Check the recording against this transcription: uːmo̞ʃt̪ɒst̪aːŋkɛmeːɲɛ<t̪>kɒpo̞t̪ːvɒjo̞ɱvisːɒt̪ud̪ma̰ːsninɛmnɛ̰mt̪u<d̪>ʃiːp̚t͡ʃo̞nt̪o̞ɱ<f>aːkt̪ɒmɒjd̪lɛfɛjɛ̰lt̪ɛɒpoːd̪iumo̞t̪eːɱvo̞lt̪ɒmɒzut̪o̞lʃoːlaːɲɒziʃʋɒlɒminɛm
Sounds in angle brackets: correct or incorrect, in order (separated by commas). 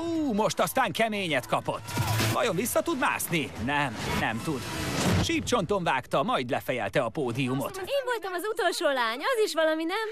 correct, correct, incorrect